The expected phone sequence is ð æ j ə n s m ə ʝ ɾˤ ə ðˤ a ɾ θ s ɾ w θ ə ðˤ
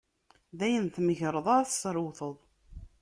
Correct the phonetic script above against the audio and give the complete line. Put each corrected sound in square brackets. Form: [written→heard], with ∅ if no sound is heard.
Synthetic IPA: ð æ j ə n [s→θ] m ə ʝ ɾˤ ə ðˤ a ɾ θ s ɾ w θ ə ðˤ